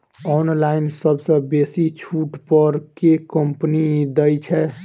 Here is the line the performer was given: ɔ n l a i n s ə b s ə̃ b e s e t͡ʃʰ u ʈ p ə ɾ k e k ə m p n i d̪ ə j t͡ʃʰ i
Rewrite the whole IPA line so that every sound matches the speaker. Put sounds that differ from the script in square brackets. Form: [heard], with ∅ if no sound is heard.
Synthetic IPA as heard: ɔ n l a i n s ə b s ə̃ b e s [i] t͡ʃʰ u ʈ p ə ɾ k e k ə m p n i d̪ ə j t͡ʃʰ [ɛ]